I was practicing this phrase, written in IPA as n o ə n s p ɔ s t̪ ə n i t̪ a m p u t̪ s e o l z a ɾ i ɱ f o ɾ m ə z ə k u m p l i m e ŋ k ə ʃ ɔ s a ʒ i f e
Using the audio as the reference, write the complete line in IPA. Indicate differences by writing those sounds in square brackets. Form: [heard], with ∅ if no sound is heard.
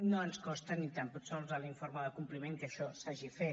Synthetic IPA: n o ə n s [k] ɔ s t̪ ə n i t̪ a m p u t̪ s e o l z a [l] i ɱ f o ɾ m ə [ð] ə k u m p l i m e ŋ k ə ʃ ɔ s a ʒ i f e